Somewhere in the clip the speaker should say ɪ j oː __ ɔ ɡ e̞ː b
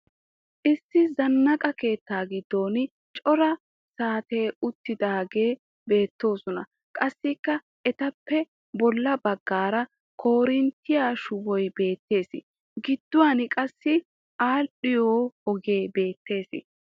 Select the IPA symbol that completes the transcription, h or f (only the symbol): h